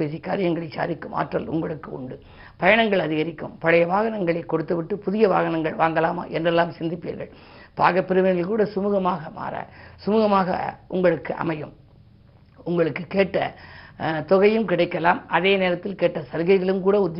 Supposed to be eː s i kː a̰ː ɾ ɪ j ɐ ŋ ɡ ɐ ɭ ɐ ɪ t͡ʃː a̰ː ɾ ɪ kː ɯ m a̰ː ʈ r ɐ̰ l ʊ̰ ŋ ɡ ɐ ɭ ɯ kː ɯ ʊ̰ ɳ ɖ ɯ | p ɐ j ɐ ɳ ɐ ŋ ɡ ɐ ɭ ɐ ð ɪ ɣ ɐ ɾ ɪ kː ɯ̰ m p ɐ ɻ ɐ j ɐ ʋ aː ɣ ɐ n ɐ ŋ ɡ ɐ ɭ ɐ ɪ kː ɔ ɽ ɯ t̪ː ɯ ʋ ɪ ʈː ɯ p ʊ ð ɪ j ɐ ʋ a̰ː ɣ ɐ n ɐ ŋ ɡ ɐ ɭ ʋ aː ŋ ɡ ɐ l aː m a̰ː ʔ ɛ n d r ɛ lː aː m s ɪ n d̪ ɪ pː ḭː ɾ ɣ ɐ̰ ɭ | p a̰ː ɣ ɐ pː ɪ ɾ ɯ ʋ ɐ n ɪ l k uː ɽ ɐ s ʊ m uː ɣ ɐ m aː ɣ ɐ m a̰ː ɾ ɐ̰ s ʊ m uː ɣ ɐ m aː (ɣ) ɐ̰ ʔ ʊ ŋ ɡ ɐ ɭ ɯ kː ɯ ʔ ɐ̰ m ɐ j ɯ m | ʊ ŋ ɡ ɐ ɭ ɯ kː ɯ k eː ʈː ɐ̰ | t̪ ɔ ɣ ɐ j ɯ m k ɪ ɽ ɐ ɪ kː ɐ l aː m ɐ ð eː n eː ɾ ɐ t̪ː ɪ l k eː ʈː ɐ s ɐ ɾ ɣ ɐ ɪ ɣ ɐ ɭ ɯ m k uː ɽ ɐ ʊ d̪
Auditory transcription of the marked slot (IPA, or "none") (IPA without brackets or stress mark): ɣ